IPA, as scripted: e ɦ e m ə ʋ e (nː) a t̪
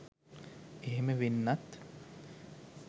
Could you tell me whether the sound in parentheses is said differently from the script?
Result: no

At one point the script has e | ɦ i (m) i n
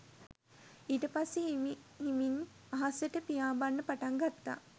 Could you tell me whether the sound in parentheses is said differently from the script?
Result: no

